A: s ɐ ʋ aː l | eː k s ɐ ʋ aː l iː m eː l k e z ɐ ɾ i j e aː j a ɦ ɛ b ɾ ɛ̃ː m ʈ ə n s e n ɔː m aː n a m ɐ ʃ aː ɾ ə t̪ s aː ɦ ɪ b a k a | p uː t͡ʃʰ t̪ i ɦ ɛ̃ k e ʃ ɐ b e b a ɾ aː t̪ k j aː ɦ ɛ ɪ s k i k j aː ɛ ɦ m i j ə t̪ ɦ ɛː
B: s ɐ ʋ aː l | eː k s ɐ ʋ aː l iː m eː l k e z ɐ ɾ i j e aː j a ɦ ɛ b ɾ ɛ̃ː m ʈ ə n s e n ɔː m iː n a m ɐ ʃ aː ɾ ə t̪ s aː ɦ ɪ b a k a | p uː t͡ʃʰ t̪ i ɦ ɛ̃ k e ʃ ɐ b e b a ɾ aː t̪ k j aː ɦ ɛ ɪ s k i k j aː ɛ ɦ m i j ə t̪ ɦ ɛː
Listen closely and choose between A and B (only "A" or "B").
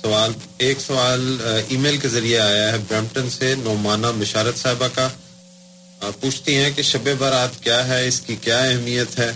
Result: A